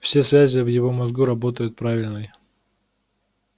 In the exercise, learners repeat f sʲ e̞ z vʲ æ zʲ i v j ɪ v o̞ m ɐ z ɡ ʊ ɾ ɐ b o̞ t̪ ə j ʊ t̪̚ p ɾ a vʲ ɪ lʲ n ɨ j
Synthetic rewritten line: f sʲ e̞ s vʲ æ zʲ ɪ v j ɪ v o̞ m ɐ z ɡ u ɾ ɐ b o̞ t̪ ə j ʊ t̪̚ p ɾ a vʲ ɪ lʲ n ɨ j